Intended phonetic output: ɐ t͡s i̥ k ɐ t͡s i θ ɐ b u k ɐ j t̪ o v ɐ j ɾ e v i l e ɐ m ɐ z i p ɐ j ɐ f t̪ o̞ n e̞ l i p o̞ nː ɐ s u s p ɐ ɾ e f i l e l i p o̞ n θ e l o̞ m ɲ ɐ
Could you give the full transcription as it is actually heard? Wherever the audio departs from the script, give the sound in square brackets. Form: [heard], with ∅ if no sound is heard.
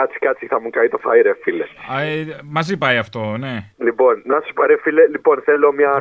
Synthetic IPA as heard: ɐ t͡s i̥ k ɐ t͡s i θ ɐ [m] u k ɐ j t̪ o [f] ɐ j ɾ e [f] i l e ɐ m ɐ z i p ɐ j ɐ f t̪ o̞ n e̞ l i p o̞ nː ɐ s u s p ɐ ɾ e f i l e l i p o̞ n θ e l o̞ m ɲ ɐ